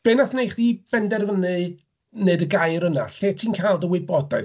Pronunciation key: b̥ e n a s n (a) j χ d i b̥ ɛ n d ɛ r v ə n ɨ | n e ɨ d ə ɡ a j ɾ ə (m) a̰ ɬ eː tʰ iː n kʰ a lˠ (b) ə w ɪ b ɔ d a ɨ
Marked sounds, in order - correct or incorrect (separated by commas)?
incorrect, incorrect, incorrect